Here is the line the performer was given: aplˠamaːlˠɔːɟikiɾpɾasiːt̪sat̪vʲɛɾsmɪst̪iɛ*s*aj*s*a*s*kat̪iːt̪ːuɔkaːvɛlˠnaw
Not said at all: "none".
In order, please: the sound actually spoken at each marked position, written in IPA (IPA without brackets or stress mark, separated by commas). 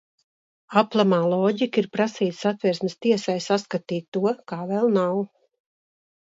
s, s, s